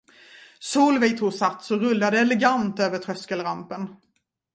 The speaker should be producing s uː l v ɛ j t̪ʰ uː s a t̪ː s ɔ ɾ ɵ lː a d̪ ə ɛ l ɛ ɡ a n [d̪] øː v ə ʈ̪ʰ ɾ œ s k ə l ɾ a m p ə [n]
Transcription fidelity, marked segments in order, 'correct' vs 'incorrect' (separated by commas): incorrect, correct